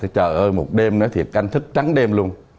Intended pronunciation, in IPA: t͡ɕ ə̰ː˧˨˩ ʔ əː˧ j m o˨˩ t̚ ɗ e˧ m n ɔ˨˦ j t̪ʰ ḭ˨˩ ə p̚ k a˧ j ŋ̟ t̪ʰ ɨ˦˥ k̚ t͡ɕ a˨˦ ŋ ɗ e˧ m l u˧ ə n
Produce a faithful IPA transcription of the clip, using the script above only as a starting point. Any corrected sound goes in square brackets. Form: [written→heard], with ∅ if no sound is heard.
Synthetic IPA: t͡ɕ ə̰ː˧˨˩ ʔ əː˧ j m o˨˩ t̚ ɗ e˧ m n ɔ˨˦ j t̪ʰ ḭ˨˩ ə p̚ k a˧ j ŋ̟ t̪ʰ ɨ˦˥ k̚ t͡ɕ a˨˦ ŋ ɗ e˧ m l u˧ ə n

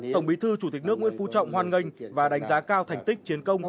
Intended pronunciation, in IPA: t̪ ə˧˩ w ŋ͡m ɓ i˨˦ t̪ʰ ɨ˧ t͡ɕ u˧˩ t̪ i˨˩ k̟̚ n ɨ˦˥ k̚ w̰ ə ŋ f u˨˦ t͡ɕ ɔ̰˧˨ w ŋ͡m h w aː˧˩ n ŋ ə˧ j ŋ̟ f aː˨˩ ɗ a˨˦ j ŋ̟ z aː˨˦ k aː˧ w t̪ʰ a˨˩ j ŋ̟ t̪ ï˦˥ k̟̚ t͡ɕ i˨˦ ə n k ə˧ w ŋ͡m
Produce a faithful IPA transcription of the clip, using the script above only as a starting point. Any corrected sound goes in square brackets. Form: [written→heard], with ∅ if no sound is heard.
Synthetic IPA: t̪ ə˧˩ w ŋ͡m ɓ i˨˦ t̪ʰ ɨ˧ t͡ɕ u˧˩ t̪ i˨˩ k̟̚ n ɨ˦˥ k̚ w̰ ə [ŋ→n] f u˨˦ t͡ɕ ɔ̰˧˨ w ŋ͡m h w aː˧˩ n ŋ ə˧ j ŋ̟ [f→v] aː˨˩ ɗ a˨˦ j ŋ̟ z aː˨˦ k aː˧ w t̪ʰ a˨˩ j ŋ̟ t̪ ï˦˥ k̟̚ t͡ɕ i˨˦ ə n k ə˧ w ŋ͡m

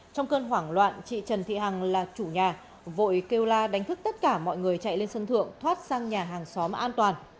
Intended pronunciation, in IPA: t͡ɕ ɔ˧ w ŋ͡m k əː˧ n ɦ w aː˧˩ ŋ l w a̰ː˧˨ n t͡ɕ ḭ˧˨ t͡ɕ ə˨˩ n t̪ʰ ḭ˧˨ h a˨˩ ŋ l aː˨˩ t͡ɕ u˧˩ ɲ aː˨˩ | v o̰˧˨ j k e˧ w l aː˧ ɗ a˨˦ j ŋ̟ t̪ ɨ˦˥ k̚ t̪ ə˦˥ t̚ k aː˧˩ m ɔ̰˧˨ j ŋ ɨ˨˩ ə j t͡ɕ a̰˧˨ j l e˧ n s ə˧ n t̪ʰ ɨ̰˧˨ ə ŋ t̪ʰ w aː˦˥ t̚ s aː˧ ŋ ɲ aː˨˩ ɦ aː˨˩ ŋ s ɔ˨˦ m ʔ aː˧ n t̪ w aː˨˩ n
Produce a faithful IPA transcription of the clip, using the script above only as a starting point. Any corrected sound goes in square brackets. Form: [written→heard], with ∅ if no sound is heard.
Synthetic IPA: t͡ɕ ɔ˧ w ŋ͡m k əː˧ n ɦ w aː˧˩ ŋ l w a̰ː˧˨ n t͡ɕ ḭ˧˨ t͡ɕ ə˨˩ n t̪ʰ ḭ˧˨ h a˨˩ ŋ l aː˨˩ t͡ɕ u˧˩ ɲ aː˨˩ | v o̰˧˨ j k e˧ w l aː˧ ɗ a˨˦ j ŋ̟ t̪ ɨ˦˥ k̚ t̪ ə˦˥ t̚ k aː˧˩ m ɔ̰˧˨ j ŋ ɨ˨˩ ə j t͡ɕ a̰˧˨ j l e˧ n s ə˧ n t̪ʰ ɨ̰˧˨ ə ŋ t̪ʰ w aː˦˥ t̚ s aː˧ ŋ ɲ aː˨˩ ɦ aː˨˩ ŋ s ɔ˨˦ m ʔ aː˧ n t̪ w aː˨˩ n

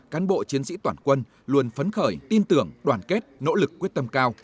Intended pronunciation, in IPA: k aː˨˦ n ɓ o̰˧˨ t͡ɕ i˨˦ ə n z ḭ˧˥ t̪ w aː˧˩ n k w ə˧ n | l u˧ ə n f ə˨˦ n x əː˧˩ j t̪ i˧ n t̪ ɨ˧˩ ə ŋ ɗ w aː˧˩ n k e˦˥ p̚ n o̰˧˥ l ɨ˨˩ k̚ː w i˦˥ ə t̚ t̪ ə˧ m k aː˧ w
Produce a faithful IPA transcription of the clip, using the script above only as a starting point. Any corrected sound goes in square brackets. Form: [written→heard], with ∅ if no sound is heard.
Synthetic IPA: k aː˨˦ n ɓ o̰˧˨ t͡ɕ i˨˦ ə n [z→s] ḭ˧˥ t̪ w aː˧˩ n k w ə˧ n | l u˧ ə n f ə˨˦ n x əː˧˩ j t̪ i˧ n t̪ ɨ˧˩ ə ŋ ɗ w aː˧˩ n k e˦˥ [p̚→t̚] n o̰˧˥ l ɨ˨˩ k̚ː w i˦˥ ə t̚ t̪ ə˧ m k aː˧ w

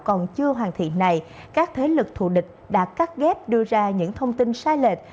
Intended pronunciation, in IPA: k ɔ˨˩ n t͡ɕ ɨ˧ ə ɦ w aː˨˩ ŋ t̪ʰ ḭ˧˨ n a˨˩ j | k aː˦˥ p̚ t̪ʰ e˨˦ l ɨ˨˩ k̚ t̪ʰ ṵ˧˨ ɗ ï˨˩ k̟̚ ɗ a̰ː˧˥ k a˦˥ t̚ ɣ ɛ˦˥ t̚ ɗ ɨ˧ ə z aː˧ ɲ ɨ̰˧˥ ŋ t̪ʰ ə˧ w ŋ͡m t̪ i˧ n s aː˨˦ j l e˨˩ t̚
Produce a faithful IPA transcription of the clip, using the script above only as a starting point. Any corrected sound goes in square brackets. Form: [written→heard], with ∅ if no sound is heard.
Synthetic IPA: k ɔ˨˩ n t͡ɕ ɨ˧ ə ɦ w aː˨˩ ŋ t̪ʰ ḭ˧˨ n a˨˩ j | k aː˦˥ [p̚→k̚] t̪ʰ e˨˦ l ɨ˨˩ k̚ t̪ʰ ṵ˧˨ ɗ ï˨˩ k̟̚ ɗ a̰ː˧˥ k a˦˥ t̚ ɣ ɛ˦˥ [t̚→p̚] ɗ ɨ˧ ə z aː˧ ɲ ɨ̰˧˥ ŋ t̪ʰ ə˧ w ŋ͡m t̪ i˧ n s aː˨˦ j l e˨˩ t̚

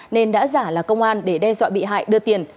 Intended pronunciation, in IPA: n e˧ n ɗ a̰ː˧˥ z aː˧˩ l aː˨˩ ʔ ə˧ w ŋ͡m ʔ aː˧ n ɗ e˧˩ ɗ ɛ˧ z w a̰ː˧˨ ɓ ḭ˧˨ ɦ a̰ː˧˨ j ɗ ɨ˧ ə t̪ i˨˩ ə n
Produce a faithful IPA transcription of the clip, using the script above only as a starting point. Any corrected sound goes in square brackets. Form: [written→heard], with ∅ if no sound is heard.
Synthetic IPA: n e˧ n ɗ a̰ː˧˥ z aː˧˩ l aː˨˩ [ʔ→k] ə˧ w ŋ͡m ʔ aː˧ n ɗ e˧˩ ɗ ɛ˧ z w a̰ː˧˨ ɓ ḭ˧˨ ɦ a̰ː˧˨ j ɗ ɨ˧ ə t̪ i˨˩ ə n

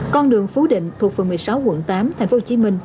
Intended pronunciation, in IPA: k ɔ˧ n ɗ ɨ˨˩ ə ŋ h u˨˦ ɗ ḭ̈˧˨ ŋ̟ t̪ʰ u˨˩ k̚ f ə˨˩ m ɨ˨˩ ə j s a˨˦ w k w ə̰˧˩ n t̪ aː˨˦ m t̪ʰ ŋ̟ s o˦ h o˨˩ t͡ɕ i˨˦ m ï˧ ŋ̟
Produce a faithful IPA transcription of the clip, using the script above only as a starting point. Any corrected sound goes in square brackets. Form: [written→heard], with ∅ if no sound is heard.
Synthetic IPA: k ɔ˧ n ɗ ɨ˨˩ ə ŋ [h→f] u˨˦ ɗ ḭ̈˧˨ ŋ̟ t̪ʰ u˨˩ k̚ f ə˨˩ m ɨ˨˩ ə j s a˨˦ w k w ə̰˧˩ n t̪ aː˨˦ m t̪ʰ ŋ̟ [s→f] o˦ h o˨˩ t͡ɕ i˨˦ m ï˧ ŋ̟

